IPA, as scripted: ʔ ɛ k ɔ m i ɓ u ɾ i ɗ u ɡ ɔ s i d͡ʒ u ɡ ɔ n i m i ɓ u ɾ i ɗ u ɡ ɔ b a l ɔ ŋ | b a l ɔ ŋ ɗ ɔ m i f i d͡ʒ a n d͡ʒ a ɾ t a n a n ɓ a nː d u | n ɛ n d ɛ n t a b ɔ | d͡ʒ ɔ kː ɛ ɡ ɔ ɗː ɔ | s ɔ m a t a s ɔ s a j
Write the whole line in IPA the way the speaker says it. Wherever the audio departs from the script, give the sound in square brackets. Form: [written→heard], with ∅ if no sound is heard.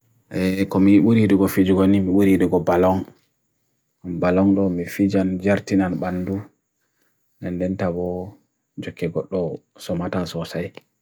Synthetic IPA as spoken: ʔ ɛ k ɔ m i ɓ u ɾ i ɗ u ɡ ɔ [s→f] i d͡ʒ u ɡ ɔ n i m i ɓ u ɾ i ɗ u ɡ ɔ b a l ɔ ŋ | b a l ɔ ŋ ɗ ɔ m i f i d͡ʒ a n d͡ʒ a ɾ t [a→i] n a n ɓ a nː d u | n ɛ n d ɛ n t a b ɔ | d͡ʒ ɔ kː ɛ ɡ ɔ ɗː ɔ | s ɔ m a t a s ɔ s a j